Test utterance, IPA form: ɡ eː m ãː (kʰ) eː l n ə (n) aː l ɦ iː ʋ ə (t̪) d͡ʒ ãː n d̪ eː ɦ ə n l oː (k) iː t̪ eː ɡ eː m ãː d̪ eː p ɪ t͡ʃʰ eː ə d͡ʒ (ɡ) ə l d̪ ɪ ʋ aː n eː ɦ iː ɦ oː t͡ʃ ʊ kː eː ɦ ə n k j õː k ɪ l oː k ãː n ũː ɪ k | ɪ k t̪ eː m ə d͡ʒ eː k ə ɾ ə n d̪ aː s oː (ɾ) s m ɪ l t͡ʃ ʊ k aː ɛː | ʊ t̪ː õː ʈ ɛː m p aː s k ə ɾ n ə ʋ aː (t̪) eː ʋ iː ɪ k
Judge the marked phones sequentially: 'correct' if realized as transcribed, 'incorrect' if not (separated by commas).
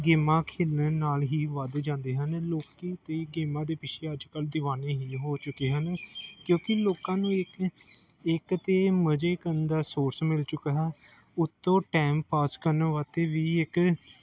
correct, correct, incorrect, correct, incorrect, correct, correct